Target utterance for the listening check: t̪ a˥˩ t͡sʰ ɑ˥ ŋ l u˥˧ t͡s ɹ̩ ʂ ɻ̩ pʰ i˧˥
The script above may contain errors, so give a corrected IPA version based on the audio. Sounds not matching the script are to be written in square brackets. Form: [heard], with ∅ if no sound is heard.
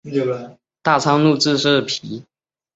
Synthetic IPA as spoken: t̪ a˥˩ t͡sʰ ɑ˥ ŋ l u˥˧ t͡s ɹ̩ ʂ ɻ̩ pʰ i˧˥